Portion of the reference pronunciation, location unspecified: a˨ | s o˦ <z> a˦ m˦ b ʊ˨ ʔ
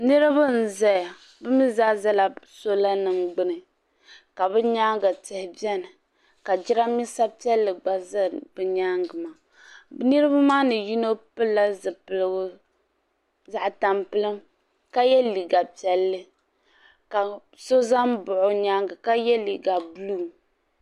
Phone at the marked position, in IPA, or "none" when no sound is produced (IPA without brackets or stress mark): z